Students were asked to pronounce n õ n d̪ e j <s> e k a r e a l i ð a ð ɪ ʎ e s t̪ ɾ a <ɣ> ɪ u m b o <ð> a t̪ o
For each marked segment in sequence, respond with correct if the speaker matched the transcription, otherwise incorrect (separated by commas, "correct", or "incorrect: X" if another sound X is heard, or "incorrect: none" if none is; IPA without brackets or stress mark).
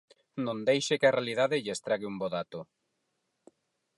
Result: incorrect: ʃ, correct, correct